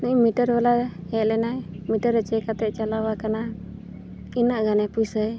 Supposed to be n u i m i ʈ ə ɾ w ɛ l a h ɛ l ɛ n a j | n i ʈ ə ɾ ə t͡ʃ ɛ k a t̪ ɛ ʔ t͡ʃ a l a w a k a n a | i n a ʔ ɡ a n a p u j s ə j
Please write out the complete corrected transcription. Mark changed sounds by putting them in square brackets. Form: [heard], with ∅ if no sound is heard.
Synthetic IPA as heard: n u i m i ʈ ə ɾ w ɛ l a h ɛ l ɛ n a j | [m] i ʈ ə ɾ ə t͡ʃ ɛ k a t̪ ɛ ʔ t͡ʃ a l a w a k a n a | i n a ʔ ɡ a n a p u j s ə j